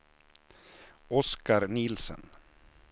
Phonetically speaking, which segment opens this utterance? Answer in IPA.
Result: ɔ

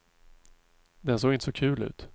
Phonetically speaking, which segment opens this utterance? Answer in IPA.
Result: d̪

